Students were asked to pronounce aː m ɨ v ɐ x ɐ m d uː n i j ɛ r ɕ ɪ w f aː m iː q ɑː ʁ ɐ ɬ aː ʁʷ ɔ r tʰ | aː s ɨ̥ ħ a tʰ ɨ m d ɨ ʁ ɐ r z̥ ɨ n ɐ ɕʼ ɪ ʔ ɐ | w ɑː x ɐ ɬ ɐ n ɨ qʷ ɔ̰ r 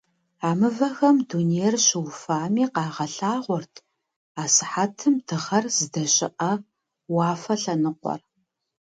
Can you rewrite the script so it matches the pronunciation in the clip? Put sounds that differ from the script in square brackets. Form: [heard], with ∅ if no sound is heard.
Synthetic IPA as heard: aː m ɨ v ɐ x ɐ m d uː n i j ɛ r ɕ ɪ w f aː m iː q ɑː ʁ ɐ ɬ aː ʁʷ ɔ r tʰ | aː s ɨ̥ ħ a tʰ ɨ m d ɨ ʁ ɐ r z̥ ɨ [d] ɐ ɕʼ ɪ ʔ ɐ | w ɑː [f] ɐ ɬ ɐ n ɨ qʷ ɔ̰ r